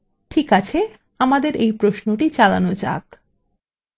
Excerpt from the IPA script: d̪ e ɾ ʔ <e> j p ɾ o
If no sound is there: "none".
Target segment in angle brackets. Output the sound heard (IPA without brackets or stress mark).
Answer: e